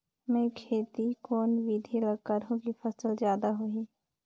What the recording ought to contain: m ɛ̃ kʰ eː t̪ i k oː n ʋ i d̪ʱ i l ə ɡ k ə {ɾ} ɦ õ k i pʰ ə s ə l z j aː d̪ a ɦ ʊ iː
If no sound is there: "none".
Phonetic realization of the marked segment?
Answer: ɾ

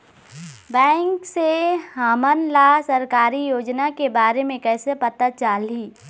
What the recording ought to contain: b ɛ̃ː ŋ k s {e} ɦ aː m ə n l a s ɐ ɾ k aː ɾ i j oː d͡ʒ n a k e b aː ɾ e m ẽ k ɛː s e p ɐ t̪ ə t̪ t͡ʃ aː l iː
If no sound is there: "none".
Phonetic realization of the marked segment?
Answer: e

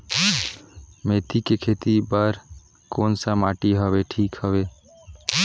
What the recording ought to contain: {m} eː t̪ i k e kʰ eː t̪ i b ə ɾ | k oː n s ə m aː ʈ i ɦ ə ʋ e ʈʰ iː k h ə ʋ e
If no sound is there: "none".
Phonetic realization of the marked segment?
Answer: m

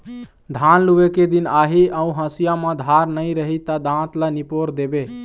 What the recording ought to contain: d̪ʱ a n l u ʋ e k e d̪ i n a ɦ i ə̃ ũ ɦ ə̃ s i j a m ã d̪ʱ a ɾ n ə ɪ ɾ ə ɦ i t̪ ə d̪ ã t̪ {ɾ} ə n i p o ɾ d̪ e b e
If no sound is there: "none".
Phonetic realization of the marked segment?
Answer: l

